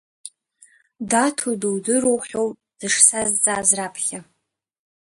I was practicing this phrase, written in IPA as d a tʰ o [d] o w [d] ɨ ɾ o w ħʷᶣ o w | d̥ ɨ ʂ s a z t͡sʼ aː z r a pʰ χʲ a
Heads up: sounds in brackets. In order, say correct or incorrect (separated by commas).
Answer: correct, correct